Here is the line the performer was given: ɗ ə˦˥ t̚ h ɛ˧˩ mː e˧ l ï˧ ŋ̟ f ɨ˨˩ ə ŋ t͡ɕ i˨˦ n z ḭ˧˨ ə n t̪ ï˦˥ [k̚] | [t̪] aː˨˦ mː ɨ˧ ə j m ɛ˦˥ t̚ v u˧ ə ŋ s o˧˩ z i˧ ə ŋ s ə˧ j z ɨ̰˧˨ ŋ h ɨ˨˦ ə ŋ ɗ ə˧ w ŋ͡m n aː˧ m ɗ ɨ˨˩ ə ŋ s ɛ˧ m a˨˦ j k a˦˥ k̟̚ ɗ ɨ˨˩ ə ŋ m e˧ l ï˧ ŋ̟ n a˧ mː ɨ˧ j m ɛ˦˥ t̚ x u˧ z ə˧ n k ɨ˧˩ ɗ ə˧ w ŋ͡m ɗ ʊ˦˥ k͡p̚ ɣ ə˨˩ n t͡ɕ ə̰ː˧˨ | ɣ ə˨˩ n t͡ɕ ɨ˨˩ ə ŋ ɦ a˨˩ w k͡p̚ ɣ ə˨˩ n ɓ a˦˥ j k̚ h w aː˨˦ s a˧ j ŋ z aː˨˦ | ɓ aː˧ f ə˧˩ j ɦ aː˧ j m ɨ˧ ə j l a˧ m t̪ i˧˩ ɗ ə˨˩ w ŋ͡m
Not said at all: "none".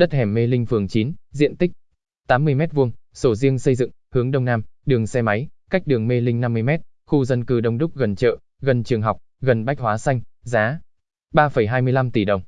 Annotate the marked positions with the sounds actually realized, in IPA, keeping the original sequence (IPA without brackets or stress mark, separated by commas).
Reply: k̚, t̪